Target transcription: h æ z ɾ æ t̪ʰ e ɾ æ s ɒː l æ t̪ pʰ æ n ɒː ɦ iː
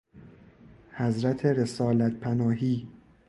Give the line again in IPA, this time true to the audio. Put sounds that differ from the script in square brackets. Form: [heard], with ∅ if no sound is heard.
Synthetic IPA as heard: h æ z ɾ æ t̪ʰ e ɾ [e] s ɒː l æ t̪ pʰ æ n ɒː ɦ iː